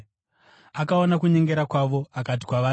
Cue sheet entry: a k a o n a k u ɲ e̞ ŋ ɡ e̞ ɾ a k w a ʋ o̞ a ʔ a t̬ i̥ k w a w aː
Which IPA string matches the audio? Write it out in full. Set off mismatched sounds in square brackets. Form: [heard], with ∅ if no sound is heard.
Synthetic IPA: a k a o n a k u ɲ e̞ ŋ ɡ e̞ ɾ a k w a ʋ o̞ a [k] a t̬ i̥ k w a [ʋ] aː